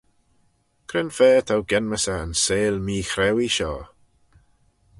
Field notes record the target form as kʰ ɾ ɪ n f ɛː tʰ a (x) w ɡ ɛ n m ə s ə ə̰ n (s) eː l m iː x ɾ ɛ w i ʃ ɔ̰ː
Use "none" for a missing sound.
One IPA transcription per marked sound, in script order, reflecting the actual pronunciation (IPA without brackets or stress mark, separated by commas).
none, s